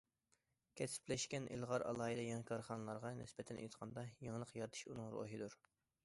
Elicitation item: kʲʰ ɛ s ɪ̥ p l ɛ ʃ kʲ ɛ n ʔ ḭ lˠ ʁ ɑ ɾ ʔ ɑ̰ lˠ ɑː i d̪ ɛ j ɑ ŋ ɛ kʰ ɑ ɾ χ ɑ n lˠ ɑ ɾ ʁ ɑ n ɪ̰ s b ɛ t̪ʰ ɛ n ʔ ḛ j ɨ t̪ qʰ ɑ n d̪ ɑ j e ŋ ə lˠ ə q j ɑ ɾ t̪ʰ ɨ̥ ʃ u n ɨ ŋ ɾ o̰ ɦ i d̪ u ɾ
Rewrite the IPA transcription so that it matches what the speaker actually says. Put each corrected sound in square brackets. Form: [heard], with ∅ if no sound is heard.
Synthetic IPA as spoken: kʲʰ ɛ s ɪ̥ p l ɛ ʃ kʲ ɛ n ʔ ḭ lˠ ʁ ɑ ɾ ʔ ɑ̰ lˠ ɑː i d̪ ɛ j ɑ ŋ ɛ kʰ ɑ ɾ χ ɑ n lˠ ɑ ɾ ʁ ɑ n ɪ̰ s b ɛ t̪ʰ ɛ n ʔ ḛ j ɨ t̪ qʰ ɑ n d̪ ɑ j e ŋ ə lˠ ə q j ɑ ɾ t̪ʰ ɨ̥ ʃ u n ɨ ŋ ɾ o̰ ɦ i d̪ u ɾ